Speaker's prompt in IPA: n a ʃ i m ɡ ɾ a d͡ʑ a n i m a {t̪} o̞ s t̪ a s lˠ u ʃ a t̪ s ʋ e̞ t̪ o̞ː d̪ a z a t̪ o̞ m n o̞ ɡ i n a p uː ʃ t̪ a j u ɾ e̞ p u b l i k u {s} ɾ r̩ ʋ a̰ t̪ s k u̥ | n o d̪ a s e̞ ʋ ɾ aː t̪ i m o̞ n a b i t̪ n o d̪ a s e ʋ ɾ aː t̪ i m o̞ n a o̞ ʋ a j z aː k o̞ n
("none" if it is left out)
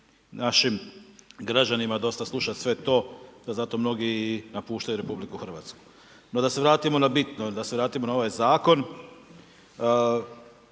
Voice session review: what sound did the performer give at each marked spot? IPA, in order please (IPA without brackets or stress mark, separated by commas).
d̪, x